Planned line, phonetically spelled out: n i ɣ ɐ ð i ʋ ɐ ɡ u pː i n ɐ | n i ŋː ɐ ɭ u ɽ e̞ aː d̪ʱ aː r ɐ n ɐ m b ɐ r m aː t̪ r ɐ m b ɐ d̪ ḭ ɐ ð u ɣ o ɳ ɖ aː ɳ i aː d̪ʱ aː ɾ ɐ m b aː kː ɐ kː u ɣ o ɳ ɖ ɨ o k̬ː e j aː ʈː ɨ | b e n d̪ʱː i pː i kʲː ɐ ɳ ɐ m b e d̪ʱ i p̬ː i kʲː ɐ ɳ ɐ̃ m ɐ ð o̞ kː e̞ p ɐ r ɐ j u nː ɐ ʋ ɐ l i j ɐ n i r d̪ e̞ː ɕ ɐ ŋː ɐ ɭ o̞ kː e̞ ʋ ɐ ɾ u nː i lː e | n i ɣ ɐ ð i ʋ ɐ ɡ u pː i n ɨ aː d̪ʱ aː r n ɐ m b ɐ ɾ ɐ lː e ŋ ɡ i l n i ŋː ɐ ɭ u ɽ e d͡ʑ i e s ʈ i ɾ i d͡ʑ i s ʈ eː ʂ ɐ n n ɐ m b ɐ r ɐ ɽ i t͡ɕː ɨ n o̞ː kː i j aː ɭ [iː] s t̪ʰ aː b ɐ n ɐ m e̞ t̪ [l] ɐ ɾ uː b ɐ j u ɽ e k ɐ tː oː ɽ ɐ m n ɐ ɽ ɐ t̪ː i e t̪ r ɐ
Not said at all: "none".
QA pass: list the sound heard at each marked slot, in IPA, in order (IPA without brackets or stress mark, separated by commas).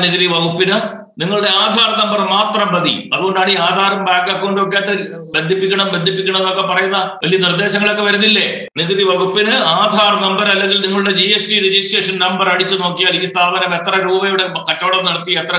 iː, r